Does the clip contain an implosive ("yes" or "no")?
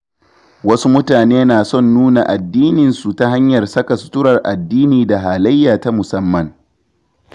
no